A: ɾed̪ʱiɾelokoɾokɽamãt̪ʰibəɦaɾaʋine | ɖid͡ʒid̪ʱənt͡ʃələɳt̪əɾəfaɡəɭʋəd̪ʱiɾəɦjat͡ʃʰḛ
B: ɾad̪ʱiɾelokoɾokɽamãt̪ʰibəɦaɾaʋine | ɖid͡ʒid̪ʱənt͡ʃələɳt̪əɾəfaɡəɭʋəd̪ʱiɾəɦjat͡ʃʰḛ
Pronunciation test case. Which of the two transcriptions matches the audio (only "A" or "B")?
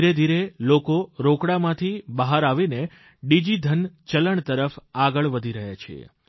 A